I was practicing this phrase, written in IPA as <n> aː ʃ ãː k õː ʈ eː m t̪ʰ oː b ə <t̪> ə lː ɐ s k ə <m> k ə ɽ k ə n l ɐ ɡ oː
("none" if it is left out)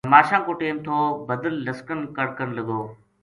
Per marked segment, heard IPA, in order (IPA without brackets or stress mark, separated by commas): m, d̪, n